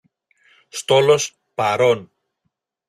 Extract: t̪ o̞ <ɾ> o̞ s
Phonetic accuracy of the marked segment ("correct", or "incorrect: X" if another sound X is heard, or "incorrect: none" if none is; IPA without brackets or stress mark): incorrect: l